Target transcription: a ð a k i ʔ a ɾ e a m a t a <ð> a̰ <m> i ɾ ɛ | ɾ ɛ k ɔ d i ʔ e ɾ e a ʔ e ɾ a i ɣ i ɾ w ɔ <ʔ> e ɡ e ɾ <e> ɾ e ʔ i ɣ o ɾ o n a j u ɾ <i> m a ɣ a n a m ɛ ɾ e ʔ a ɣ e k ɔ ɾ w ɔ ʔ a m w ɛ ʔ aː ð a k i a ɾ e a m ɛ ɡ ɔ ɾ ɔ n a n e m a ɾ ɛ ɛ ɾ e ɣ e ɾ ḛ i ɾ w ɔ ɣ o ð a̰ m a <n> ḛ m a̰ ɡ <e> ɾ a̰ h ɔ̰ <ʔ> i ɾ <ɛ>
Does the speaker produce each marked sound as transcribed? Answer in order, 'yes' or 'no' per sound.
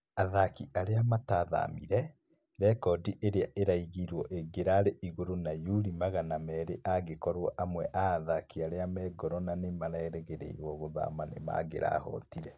yes, yes, yes, no, yes, yes, yes, no, yes

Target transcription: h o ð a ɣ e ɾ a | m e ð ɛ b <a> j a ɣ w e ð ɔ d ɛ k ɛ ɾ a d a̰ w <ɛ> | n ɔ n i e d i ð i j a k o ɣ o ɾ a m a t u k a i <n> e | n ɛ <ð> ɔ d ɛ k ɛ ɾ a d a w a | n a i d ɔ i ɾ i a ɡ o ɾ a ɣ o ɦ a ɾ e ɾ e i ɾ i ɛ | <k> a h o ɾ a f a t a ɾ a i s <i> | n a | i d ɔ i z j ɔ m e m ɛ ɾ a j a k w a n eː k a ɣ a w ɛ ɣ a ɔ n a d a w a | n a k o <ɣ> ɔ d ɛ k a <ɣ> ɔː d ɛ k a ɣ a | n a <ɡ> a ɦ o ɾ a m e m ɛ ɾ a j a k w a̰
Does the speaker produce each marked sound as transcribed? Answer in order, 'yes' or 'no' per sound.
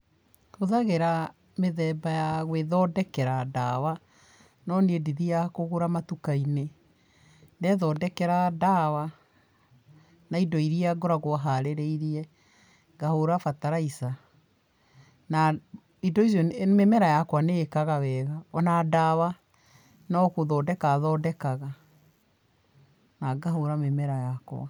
yes, no, yes, yes, no, no, no, no, yes

